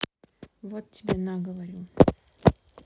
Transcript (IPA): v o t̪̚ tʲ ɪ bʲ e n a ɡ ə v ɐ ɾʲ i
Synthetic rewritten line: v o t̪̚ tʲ ɪ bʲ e n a ɡ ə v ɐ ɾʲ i